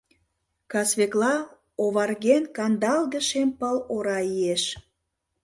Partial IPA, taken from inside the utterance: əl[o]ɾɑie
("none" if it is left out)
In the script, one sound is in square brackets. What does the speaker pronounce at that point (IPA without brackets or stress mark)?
o